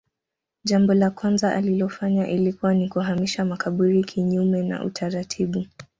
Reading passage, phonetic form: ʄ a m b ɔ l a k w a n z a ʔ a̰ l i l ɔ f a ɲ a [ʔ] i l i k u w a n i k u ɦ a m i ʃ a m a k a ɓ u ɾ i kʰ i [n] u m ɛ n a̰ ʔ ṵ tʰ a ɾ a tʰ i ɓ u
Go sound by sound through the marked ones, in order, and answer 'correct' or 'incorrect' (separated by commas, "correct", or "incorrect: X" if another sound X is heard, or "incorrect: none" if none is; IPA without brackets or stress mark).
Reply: correct, incorrect: ɲ